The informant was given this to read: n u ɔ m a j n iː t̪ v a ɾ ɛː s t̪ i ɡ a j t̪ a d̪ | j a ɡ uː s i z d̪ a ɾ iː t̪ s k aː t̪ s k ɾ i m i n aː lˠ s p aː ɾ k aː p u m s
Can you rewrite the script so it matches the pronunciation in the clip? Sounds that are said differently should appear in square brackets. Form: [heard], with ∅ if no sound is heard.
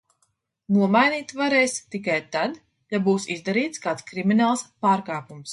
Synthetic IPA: n u ɔ m a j n iː t̪ v a ɾ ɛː s t̪ i [k] a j t̪ a d̪ | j a [b] uː s i z d̪ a ɾ iː t̪ s k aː t̪ s k ɾ i m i n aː lˠ s p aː ɾ k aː p u m s